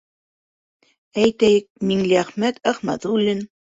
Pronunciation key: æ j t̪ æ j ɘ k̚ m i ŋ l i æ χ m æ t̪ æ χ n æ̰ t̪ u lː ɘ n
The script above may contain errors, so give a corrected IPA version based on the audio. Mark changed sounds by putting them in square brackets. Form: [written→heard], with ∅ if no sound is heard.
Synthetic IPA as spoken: æ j t̪ æ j ɘ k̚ m i ŋ l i æ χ m æ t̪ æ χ [n→m] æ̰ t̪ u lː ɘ n